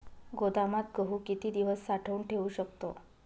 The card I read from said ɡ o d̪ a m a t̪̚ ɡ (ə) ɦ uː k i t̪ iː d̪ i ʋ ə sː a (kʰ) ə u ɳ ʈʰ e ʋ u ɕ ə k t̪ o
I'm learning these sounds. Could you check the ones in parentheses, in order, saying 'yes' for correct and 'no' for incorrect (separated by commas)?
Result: yes, no